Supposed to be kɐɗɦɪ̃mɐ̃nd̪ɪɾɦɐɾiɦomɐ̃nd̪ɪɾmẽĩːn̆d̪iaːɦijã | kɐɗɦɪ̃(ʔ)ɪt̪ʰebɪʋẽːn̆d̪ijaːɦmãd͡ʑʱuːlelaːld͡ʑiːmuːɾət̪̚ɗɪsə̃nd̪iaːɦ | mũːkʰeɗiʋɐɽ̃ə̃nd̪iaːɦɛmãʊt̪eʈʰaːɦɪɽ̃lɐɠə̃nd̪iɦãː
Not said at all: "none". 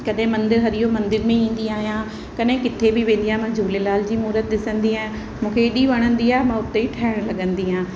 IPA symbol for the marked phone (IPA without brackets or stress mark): k